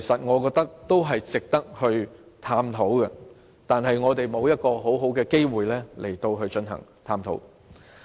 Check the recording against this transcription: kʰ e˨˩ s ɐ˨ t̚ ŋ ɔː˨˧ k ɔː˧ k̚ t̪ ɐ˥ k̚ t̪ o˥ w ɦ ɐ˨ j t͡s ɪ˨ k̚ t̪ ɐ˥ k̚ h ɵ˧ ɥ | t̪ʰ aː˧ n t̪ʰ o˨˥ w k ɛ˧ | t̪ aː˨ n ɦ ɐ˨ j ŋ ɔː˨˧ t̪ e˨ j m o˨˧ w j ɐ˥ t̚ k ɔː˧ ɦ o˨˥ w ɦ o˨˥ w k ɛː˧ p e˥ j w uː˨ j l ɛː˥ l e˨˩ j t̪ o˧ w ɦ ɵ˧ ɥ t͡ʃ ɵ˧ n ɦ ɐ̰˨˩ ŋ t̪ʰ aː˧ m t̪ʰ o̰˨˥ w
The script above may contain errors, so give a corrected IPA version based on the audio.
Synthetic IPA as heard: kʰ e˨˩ s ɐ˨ t̚ ŋ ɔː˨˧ k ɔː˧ k̚ t̪ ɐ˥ k̚ t̪ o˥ w ɦ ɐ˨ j t͡s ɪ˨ k̚ t̪ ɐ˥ k̚ h ɵ˧ ɥ | t̪ʰ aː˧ m t̪ʰ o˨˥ w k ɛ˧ | t̪ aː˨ n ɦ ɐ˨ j ŋ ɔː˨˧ t̪ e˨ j m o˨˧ w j ɐ˥ t̚ k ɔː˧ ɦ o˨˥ w ɦ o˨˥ w k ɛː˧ k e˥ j w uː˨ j l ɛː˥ l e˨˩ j t̪ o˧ w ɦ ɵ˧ ɥ t͡ʃ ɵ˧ n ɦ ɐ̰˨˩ ŋ t̪ʰ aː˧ m t̪ʰ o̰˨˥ w